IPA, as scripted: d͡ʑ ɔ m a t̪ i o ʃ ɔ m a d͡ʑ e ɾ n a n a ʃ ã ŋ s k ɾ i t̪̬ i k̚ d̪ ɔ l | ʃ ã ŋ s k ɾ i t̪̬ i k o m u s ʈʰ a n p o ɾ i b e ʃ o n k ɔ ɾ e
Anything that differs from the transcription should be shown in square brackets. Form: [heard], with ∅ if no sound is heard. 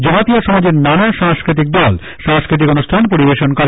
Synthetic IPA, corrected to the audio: d͡ʑ ɔ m a t̪ i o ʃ ɔ m a d͡ʑ e ɾ n a n a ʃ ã ŋ s k ɾ i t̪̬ i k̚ d̪ ɔ l | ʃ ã ŋ s k ɾ i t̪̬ i k o [n] u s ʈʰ a n p o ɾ i b e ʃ o n k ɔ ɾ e